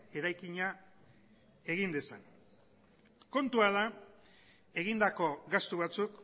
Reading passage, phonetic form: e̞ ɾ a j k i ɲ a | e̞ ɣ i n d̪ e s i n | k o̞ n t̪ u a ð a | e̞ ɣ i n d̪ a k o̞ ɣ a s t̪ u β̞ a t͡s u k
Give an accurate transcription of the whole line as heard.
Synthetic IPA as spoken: e̞ ɾ a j k i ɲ a | e̞ ɣ i n d̪ e s a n | k o̞ n t̪ u a ð a | e̞ ɣ i n d̪ a k o̞ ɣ a s t̪ u β̞ a t͡s u k